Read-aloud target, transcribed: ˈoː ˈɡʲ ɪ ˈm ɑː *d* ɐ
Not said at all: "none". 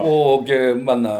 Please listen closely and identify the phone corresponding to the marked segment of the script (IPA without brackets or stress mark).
n